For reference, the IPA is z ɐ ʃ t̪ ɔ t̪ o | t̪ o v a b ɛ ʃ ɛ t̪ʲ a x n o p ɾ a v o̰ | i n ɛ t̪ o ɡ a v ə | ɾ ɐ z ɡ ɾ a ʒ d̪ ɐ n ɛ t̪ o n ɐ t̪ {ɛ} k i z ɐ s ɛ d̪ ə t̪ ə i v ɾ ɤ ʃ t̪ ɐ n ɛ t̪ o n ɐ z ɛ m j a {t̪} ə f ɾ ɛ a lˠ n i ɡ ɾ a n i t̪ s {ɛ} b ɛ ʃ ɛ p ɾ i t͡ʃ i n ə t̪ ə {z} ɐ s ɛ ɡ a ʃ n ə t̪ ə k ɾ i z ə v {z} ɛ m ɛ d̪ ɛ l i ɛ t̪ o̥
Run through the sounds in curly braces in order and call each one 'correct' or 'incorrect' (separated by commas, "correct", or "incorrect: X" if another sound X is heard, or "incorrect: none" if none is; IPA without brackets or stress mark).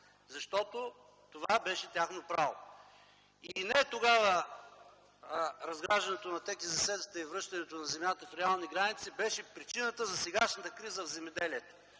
correct, correct, incorrect: i, correct, correct